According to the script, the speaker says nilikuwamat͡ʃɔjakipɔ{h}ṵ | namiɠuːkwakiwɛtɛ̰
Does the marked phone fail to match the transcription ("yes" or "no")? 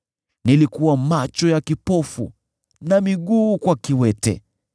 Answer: yes